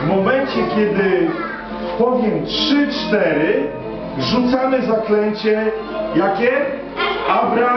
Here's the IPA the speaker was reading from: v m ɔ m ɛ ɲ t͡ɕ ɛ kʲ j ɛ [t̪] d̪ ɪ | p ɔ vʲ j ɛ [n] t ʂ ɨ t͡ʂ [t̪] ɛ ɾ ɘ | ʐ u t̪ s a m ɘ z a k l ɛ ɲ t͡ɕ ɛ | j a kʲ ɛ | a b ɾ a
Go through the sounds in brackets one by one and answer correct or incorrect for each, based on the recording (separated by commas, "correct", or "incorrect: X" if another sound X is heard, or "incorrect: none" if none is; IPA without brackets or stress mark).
incorrect: none, incorrect: m, correct